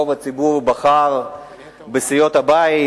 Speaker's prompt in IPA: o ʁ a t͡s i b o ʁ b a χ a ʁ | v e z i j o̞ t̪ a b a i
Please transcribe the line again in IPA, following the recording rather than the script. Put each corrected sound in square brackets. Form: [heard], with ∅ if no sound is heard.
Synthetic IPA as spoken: o [v] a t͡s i b [u] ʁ b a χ a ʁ | [b] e [s] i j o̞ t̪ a b a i